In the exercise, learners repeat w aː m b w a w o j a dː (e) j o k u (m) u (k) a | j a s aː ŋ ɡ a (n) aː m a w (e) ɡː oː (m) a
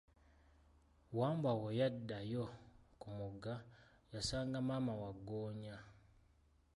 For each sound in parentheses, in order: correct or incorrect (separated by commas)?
incorrect, correct, incorrect, incorrect, incorrect, incorrect